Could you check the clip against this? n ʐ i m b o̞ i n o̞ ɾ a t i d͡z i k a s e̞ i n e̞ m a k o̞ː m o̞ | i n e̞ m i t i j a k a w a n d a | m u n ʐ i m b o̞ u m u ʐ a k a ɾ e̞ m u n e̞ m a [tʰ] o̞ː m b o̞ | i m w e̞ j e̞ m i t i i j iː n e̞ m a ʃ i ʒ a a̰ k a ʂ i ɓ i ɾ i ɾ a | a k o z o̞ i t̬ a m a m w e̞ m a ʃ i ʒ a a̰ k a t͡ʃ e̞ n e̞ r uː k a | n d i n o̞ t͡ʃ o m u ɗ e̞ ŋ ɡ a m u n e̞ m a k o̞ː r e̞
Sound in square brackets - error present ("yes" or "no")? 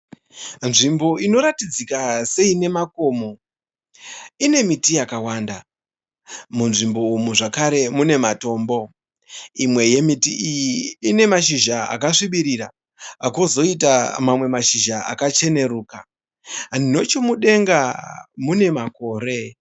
yes